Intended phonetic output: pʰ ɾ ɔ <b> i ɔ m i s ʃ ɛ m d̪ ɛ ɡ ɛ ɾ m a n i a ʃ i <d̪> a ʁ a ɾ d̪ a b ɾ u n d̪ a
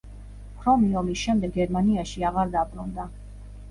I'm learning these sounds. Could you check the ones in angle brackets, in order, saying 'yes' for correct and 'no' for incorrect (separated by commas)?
no, no